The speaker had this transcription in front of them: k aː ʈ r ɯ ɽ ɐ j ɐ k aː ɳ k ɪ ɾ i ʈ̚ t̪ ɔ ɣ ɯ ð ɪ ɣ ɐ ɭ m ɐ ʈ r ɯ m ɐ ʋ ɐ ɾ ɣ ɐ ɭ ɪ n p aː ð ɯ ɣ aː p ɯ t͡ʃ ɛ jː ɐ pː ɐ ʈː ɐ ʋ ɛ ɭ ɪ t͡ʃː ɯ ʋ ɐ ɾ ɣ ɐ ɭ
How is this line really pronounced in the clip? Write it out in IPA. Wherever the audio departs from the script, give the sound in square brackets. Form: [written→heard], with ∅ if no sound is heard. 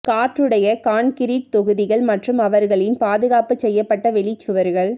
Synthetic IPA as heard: k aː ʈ r ɯ ɽ ɐ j ɐ k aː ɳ k ɪ ɾ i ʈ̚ t̪ ɔ ɣ ɯ ð ɪ ɣ ɐ ɭ m ɐ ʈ r ɯ m ɐ ʋ ɐ ɾ ɣ ɐ ɭ ɪ n p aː ð ɯ ɣ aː p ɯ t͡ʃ ɛ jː ɐ pː ɐ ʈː ɐ ʋ ɛ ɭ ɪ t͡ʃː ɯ ʋ ɐ ɾ ɣ ɐ ɭ

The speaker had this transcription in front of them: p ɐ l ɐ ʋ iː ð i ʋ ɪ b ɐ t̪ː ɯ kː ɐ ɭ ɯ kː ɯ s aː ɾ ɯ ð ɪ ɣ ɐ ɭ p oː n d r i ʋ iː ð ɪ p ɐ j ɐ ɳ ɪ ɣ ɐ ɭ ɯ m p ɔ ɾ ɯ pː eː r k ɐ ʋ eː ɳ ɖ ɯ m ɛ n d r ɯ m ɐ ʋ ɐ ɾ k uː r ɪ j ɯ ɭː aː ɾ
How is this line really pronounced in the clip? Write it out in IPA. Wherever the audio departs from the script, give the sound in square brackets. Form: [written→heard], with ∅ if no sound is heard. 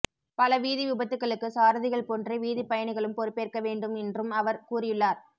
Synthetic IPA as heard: p ɐ l ɐ ʋ iː ð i ʋ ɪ b ɐ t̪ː ɯ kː ɐ ɭ ɯ kː ɯ s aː ɾ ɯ ð ɪ ɣ ɐ ɭ p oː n d r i ʋ iː ð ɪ p ɐ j ɐ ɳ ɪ ɣ ɐ ɭ ɯ m p ɔ ɾ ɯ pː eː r k ɐ ʋ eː ɳ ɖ ɯ m ɛ n d r ɯ m ɐ ʋ ɐ ɾ k uː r ɪ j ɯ ɭː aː ɾ

